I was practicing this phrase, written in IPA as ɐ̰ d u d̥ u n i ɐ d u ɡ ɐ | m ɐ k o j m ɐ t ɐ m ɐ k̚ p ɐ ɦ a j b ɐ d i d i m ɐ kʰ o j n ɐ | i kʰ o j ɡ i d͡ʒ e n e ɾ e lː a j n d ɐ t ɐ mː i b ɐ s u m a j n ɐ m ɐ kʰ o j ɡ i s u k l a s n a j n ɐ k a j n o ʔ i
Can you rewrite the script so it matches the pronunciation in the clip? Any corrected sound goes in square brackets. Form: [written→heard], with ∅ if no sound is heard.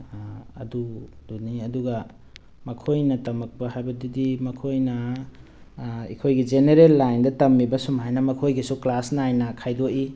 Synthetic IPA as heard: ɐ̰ d u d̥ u n i ɐ d u ɡ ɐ | m ɐ [k→kʰ] o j [m→n] ɐ t ɐ m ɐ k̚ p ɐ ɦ a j b ɐ d i d i m ɐ kʰ o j n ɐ | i kʰ o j ɡ i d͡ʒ e n e ɾ e lː a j n d ɐ t ɐ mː i b ɐ s u m a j n ɐ m ɐ kʰ o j ɡ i s u k l a s n a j n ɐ [k→kʰ] a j [n→d] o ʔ i